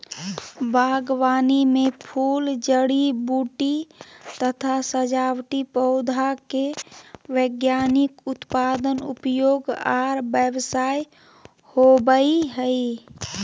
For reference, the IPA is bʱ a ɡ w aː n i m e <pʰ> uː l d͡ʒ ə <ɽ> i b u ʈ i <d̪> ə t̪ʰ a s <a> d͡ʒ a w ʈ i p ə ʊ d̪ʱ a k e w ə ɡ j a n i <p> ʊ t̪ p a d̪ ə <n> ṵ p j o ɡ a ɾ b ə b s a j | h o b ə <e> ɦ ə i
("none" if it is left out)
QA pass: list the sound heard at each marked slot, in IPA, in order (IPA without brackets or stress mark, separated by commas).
pʰ, ɽ, t̪, ə, k, n, i